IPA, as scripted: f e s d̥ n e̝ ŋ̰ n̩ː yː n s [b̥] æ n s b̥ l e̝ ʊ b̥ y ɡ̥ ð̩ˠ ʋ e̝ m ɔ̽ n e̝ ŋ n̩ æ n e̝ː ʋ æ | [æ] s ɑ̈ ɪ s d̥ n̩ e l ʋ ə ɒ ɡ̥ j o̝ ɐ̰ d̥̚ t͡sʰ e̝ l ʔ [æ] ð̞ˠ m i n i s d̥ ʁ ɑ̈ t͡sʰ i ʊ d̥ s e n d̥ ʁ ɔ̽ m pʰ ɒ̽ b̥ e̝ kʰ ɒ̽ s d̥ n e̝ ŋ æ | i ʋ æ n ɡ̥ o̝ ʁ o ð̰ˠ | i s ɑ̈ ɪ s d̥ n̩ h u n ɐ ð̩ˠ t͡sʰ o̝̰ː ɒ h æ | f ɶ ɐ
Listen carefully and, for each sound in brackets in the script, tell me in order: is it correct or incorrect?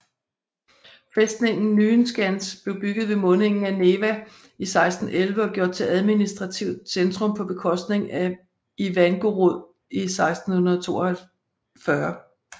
incorrect: ɡ̥, incorrect: i, correct

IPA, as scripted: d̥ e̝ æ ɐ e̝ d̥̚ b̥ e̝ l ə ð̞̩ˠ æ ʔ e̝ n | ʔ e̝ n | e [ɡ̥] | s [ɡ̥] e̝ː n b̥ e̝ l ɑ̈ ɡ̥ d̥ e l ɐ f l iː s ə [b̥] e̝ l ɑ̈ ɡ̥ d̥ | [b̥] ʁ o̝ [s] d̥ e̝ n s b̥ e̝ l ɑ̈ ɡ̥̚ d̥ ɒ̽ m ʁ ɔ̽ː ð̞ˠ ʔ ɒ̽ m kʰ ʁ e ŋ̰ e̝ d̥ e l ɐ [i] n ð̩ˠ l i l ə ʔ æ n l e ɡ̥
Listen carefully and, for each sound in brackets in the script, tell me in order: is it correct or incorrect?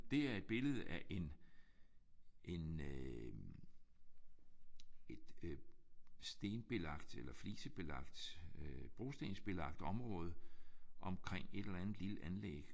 incorrect: d̥, incorrect: d̥, correct, correct, correct, incorrect: æ

